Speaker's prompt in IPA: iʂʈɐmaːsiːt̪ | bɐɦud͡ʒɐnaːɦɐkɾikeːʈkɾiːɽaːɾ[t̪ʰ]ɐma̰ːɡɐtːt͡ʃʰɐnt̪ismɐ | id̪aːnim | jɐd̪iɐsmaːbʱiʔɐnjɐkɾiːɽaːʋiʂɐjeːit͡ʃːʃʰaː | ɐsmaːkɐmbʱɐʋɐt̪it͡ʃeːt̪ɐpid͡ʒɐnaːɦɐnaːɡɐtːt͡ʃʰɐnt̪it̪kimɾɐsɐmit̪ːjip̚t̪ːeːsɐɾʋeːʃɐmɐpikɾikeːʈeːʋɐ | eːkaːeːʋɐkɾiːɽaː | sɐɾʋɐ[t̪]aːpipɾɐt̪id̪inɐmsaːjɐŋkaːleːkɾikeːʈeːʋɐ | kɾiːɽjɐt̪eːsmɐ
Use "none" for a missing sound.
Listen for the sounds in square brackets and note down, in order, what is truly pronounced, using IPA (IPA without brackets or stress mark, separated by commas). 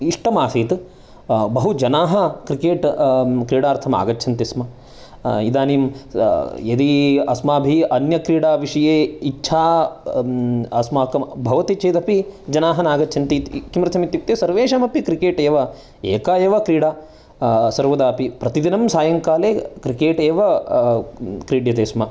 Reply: t̪ʰ, d̪